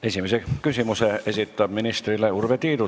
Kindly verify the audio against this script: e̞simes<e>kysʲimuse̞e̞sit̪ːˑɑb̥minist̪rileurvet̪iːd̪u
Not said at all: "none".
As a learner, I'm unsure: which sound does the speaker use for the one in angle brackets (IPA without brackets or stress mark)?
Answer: e